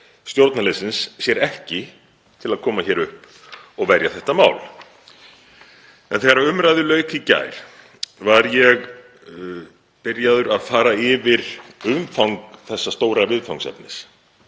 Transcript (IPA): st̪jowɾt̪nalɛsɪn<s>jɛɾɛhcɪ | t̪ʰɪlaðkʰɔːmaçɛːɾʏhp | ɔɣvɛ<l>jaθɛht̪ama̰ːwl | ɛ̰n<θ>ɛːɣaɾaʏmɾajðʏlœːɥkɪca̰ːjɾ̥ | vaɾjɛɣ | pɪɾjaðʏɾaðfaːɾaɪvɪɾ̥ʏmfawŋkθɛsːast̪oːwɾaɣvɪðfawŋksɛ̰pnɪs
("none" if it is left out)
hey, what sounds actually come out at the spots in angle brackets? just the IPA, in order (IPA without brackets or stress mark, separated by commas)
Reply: sː, ɾ, θ